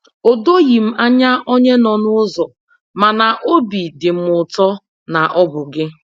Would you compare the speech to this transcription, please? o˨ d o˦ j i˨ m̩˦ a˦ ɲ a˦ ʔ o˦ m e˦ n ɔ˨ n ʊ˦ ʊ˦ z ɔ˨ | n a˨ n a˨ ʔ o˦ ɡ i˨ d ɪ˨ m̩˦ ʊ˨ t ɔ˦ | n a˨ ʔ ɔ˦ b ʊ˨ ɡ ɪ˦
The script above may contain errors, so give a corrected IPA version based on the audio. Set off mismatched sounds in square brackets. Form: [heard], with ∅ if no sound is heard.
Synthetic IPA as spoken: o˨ d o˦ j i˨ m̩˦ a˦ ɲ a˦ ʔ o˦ [ɲ] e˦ n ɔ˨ n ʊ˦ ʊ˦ z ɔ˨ | [m] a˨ n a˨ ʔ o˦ [b] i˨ d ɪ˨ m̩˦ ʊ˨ t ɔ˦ | n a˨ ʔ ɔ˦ b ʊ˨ ɡ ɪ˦